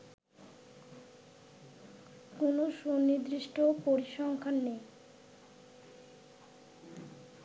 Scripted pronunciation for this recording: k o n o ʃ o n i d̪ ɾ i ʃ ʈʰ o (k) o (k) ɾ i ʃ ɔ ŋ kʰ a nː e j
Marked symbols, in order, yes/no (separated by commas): no, no